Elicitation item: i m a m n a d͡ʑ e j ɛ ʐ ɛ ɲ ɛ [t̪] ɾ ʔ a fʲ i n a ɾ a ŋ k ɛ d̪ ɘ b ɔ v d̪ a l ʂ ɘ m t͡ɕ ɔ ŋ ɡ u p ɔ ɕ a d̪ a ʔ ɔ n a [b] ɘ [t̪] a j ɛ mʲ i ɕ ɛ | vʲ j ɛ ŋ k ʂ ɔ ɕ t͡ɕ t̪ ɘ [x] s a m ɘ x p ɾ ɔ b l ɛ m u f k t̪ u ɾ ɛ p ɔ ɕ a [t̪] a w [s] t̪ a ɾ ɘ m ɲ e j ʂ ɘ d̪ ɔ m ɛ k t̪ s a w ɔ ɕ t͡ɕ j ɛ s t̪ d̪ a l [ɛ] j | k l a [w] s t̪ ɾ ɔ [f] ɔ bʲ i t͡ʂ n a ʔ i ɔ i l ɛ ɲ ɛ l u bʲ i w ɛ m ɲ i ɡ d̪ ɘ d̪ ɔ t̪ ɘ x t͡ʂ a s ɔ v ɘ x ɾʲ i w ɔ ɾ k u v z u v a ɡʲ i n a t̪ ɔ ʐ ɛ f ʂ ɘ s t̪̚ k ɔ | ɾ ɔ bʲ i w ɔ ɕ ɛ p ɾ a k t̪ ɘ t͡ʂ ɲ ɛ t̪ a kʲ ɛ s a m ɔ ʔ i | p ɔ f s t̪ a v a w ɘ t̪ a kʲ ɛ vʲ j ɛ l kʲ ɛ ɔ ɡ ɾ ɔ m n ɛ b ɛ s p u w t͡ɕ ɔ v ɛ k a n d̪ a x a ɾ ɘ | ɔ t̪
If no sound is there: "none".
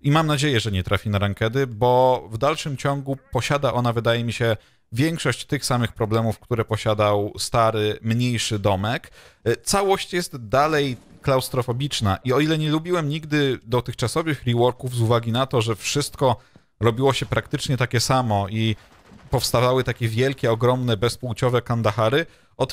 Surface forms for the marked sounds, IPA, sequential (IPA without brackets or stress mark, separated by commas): t̪, v, d̪, x, d̪, s, ɛ, w, f